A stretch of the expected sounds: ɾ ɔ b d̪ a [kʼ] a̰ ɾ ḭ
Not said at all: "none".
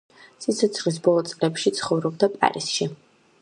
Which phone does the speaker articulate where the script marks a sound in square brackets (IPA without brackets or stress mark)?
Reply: pʼ